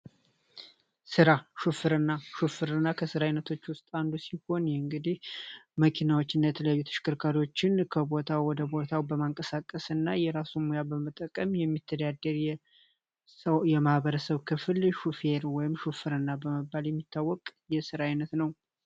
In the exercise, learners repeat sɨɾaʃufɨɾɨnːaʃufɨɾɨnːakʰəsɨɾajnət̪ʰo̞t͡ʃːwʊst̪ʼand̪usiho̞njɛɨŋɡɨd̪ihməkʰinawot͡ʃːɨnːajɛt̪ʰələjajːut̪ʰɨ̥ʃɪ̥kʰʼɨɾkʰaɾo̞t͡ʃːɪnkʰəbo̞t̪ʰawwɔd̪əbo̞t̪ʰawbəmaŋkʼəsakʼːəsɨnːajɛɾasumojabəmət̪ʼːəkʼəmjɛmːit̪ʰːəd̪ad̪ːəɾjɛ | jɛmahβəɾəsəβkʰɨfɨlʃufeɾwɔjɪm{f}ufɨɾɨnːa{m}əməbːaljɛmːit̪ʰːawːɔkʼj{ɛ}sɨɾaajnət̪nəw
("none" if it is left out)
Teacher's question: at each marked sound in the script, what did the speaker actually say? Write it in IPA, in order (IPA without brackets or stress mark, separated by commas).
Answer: ʃ, b, ɛ